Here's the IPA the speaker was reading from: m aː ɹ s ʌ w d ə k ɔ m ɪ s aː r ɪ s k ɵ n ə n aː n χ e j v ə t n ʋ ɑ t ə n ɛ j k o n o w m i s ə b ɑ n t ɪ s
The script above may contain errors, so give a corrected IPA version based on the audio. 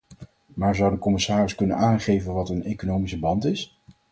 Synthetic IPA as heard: m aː ɹ z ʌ w d ə k ɔ m ɪ s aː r ɪ s k ɵ n ə n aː n χ e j v ə n ʋ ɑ t ə n e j k o n o w m i s ə b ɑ n t ɪ s